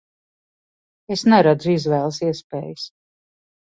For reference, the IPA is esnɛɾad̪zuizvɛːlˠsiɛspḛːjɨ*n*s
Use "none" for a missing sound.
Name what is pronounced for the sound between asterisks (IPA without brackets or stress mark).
none